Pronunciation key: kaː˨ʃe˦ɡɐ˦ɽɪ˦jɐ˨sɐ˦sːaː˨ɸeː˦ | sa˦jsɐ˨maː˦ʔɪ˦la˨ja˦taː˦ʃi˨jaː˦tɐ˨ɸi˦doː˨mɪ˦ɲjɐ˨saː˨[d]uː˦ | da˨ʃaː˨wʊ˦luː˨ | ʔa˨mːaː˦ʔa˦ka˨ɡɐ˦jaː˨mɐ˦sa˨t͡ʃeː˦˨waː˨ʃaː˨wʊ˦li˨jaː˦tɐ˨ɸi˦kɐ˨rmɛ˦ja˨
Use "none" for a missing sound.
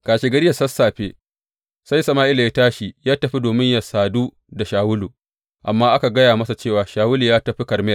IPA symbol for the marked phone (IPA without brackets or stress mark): d